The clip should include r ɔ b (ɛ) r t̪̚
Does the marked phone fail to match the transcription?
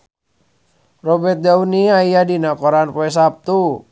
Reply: no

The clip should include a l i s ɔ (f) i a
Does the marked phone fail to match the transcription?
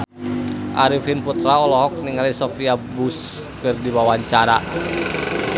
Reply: no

